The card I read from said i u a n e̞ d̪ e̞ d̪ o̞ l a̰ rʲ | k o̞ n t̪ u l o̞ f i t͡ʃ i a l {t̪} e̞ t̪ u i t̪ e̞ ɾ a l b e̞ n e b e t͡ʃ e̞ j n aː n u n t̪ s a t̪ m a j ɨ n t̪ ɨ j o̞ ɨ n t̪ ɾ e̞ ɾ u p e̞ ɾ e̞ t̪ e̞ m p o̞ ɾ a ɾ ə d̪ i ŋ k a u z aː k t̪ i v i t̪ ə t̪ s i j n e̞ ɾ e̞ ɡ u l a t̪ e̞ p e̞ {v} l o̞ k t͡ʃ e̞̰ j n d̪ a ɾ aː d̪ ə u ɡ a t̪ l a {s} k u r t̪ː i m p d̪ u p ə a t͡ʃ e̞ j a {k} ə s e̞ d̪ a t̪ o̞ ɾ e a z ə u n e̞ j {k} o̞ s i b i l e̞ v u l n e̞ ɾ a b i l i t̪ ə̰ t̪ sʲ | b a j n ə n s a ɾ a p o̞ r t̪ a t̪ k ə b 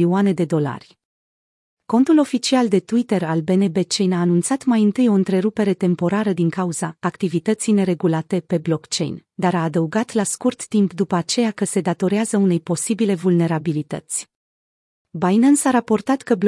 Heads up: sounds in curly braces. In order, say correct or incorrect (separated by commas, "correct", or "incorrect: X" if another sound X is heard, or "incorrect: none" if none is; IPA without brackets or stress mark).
incorrect: d̪, incorrect: b, correct, correct, incorrect: p